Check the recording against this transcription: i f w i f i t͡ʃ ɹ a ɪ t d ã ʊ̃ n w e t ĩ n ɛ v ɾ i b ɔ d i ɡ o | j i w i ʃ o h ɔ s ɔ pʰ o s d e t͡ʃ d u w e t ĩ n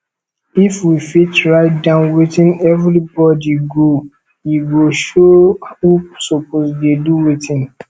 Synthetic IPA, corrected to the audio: i f w i f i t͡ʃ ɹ a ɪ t d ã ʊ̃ n w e t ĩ n ɛ v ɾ i b ɔ d i ɡ o | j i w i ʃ o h u s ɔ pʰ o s d e d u w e t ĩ n